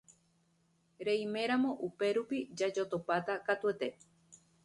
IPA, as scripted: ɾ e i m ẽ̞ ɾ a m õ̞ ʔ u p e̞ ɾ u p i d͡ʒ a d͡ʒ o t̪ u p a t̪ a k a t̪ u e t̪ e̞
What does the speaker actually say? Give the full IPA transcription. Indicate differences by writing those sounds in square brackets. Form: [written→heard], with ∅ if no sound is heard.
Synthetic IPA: ɾ e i m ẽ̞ ɾ a m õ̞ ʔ u p e̞ ɾ u p i d͡ʒ a d͡ʒ o t̪ [u→o] p a t̪ a k a t̪ u e t̪ e̞